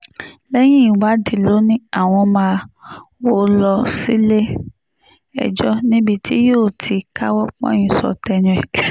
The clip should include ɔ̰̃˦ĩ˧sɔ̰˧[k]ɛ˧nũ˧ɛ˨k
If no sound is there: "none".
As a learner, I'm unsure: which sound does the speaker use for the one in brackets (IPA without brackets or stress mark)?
t